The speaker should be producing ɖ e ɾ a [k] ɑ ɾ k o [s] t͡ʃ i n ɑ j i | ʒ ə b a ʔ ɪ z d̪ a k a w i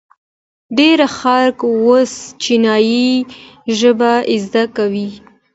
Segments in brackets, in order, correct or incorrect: incorrect, correct

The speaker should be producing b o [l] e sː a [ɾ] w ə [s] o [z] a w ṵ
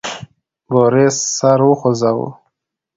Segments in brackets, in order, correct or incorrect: incorrect, correct, incorrect, correct

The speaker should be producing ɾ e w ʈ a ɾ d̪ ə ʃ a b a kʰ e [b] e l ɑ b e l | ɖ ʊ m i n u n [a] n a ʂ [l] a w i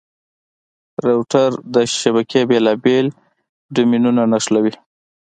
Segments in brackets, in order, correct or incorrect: correct, correct, correct

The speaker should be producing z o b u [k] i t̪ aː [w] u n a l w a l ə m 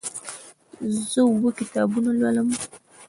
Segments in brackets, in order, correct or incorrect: correct, incorrect

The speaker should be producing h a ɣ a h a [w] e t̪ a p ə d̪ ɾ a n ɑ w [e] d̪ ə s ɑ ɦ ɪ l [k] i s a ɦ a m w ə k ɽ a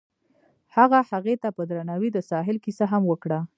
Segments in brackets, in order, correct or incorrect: incorrect, incorrect, correct

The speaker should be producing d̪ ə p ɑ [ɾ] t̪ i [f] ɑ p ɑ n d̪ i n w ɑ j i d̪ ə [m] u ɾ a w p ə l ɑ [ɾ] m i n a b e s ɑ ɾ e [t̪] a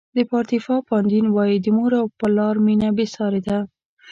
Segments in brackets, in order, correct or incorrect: correct, correct, correct, correct, incorrect

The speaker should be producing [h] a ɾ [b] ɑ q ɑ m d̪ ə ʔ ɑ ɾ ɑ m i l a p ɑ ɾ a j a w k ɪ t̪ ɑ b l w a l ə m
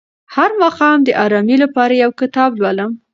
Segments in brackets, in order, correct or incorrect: correct, incorrect

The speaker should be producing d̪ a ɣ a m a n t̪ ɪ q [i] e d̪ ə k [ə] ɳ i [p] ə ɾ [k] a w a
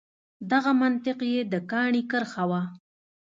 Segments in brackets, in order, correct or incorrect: incorrect, incorrect, incorrect, incorrect

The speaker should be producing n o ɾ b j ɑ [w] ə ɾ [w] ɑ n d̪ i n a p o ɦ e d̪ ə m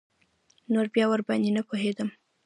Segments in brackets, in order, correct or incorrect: correct, incorrect

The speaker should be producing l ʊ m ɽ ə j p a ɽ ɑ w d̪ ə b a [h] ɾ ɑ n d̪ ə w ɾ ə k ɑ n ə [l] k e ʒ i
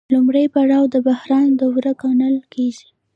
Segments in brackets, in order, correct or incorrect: correct, correct

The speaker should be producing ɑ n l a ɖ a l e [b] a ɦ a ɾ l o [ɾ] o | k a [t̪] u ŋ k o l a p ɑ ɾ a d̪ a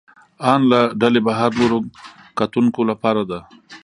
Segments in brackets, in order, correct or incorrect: correct, correct, correct

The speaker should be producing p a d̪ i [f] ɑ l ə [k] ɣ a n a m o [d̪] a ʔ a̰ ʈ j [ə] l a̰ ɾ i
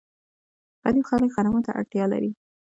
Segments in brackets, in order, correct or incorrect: incorrect, correct, incorrect, incorrect

